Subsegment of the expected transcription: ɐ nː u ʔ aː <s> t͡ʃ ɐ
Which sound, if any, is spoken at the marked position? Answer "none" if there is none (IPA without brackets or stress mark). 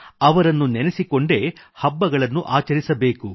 none